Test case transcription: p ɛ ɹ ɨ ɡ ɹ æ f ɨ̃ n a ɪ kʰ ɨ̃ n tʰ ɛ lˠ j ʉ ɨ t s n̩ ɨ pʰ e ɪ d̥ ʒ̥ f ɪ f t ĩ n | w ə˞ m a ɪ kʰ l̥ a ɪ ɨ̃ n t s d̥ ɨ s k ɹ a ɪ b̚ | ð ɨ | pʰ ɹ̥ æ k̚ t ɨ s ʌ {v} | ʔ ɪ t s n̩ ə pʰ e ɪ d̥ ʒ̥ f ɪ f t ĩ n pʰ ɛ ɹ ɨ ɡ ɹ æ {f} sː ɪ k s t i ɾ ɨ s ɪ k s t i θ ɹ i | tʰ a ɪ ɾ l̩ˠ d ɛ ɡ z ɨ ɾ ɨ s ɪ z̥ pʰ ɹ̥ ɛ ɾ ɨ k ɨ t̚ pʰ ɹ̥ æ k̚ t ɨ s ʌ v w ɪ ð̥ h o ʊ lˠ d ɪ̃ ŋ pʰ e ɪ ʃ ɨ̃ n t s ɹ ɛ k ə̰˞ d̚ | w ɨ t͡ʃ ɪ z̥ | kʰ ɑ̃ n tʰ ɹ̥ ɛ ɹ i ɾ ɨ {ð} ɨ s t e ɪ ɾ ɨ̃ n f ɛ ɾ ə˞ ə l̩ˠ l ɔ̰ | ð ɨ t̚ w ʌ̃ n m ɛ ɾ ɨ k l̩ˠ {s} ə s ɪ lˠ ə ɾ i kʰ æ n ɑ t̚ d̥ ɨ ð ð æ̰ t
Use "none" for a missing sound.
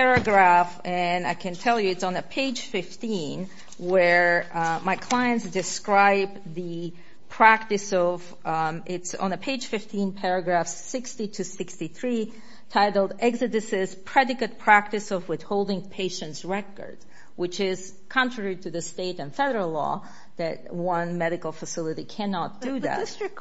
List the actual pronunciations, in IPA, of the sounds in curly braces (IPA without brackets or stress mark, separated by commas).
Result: v, f, ð, f